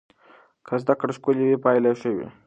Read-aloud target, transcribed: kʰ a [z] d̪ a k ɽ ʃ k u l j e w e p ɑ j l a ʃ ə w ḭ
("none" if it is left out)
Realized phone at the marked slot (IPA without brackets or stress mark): z